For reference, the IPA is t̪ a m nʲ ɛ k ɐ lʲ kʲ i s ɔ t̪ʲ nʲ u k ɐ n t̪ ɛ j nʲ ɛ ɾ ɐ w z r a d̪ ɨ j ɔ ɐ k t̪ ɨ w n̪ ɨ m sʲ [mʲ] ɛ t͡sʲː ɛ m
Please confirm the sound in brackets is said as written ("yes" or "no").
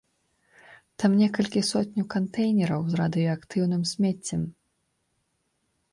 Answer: yes